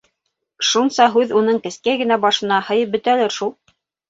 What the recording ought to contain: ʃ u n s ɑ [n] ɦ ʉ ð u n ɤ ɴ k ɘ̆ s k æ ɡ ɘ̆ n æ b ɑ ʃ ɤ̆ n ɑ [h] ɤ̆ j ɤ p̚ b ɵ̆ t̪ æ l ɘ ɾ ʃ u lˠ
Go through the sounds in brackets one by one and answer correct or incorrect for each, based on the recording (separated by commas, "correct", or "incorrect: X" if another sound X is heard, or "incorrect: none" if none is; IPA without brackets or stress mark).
incorrect: none, correct